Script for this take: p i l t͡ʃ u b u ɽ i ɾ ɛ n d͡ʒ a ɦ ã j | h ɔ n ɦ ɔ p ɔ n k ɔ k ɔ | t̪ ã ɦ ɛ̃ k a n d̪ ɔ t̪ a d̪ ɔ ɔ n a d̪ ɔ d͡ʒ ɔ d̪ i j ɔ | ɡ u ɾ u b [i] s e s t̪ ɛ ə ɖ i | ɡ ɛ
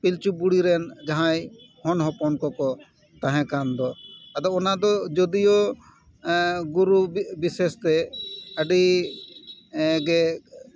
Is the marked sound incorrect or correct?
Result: correct